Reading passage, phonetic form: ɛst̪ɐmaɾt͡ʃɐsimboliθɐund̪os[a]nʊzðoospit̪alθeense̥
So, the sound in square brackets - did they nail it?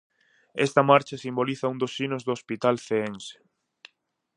no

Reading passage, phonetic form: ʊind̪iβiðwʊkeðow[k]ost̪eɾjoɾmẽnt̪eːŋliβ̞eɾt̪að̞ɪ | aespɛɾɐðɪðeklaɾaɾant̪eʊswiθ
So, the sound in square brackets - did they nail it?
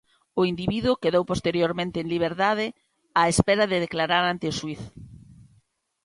no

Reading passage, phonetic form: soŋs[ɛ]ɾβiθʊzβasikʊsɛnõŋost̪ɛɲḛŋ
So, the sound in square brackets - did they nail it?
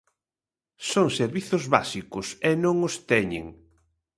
no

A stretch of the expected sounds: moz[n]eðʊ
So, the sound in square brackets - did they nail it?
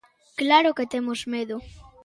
no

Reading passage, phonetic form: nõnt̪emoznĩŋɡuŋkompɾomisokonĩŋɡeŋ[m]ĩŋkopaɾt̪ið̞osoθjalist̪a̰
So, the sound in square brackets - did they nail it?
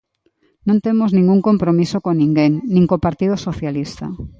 no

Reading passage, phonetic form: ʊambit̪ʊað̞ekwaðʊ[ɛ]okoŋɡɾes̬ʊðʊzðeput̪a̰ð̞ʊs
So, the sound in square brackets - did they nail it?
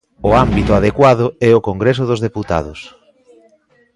yes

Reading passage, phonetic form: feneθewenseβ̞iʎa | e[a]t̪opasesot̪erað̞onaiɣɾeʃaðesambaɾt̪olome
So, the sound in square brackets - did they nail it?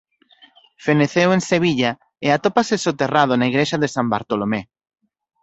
yes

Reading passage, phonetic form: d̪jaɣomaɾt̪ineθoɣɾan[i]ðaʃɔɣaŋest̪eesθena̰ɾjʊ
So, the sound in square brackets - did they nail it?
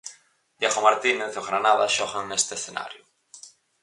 no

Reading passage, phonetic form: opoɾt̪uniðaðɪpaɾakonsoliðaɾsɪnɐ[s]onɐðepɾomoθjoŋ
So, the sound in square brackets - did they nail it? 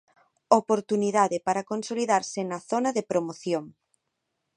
no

